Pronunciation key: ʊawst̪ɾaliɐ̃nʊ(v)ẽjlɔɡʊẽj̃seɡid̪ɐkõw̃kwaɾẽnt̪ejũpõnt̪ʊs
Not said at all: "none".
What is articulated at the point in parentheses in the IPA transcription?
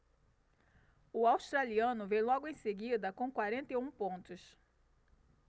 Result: v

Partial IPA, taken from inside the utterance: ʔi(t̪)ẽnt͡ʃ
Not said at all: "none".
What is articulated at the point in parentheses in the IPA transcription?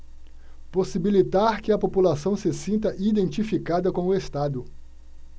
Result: d̪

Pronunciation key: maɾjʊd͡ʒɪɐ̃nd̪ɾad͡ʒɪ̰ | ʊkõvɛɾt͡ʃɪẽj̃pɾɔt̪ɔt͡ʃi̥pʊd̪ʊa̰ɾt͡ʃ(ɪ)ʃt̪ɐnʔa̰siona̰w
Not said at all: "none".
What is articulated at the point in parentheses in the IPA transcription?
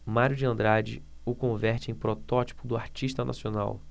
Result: i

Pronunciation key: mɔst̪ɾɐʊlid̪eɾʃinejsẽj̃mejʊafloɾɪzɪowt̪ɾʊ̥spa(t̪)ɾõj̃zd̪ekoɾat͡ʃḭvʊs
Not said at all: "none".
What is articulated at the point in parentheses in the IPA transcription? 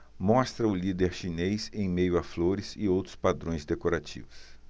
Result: d̪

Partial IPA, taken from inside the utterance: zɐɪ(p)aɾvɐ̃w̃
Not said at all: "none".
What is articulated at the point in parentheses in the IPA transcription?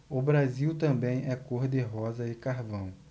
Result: k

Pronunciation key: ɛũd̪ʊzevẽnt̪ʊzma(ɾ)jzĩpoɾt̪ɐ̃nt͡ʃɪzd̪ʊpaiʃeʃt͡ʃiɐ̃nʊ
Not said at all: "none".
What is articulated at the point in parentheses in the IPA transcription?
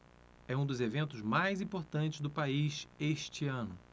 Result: none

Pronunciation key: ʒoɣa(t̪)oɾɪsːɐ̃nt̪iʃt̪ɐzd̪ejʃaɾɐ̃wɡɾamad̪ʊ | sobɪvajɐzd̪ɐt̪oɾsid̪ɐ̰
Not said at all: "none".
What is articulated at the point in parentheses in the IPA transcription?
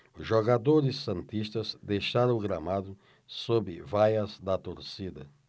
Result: d̪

